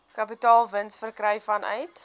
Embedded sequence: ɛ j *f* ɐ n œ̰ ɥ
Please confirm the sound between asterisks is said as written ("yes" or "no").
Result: yes